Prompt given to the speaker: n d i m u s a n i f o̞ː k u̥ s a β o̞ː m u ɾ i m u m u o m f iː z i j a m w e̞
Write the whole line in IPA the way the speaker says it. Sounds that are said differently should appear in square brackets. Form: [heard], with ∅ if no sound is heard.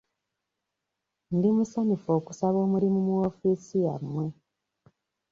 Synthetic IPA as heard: n d i m u s a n i f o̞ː k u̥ s a β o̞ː m u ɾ i m u m u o [∅] f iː [s] i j a m w e̞